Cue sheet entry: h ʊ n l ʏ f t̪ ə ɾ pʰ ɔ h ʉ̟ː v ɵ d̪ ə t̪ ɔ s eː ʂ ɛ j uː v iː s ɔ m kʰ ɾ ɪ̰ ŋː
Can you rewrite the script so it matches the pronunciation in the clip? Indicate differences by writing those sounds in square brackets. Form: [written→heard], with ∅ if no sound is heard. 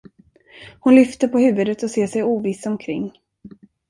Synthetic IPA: h ʊ n l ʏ f t̪ ə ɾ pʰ ɔ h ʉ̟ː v ɵ d̪ ə t̪ ɔ s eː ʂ ɛ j uː v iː s ɔ m kʰ ɾ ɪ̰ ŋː